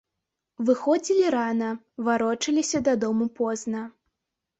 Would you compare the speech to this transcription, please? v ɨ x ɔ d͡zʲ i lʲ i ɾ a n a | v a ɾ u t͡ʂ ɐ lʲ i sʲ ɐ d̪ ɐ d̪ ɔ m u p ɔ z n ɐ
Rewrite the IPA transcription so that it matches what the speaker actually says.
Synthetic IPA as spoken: v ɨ x ɔ d͡zʲ i lʲ i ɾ a n ɐ | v a ɾ ɔ t͡ʂ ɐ lʲ i sʲ ɐ d̪ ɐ d̪ ɔ m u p ɔ z n ɐ

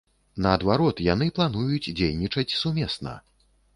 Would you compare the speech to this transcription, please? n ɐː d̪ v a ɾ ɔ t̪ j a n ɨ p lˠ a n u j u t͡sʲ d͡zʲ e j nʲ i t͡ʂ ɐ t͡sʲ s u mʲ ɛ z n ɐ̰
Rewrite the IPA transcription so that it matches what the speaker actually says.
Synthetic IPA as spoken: n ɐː d̪ v a ɾ ɔ t̪ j a n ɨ p lˠ a n u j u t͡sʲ d͡zʲ e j nʲ i t͡ʂ ɐ t͡sʲ s u mʲ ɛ s n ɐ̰

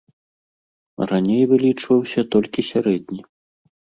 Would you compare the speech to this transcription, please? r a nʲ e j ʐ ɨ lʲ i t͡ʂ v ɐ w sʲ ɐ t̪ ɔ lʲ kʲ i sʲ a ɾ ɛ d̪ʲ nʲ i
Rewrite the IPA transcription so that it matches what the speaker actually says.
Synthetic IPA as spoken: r a nʲ e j v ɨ lʲ i t͡ʂ v ɐ w sʲ ɐ t̪ ɔ lʲ kʲ i sʲ a ɾ ɛ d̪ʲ nʲ i

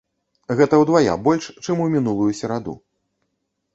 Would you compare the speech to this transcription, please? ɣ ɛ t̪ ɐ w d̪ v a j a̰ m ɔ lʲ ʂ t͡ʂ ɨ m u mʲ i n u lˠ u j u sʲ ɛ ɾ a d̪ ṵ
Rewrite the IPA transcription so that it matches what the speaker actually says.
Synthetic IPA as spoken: ɣ ɛ t̪ ɐ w d̪ v a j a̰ b ɔ lʲ ʂ t͡ʂ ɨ m u mʲ i n u lˠ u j u sʲ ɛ ɾ a d̪ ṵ

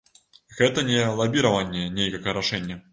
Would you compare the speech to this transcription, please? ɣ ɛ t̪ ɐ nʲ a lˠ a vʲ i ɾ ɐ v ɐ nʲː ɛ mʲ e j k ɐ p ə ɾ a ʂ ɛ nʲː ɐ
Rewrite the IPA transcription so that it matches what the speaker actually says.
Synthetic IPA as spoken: ɣ ɛ t̪ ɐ nʲ ɛ lˠ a bʲ i ɾ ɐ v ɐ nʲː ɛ nʲ e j k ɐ k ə ɾ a ʂ ɛ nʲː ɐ

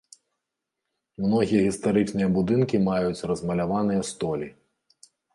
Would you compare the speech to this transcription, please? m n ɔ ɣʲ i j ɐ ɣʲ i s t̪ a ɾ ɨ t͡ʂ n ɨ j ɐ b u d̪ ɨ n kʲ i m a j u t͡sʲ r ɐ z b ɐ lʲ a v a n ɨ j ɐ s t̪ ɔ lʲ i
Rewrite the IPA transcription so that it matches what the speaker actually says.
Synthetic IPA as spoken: m n ɔ ɣʲ i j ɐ ɣʲ i s t̪ a ɾ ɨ t͡ʂ n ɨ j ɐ b u d̪ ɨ n kʲ i m a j u t͡sʲ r ɐ z m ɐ lʲ a v a n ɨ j ɐ s t̪ ɔ lʲ i

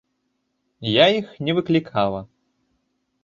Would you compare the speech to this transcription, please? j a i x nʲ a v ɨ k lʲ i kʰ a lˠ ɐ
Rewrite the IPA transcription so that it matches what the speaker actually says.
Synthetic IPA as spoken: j a i x nʲ ɛ v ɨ k lʲ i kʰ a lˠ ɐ

